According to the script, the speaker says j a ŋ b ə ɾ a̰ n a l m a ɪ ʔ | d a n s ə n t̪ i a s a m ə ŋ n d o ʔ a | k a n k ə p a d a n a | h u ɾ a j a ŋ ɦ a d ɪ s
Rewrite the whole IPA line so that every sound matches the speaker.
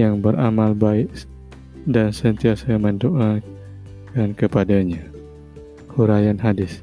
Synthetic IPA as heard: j a ŋ b ə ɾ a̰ m a l b a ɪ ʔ | d a n s ə n t̪ i a s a m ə n d o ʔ a | k a n k ə p a d a ɲ a | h u ɾ a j a n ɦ a d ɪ s